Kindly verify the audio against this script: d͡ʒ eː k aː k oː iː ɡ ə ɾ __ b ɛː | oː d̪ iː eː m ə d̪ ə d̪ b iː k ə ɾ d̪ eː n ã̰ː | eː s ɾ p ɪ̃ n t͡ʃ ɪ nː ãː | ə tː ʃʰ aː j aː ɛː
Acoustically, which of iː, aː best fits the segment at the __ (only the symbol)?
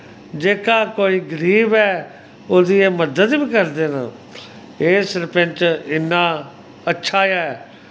iː